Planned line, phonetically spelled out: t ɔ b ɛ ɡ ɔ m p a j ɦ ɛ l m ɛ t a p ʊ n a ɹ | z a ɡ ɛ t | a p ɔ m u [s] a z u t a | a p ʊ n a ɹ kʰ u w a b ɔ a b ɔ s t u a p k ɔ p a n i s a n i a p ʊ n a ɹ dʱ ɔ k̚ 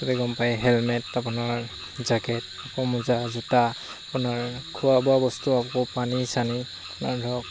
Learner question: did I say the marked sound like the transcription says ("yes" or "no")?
no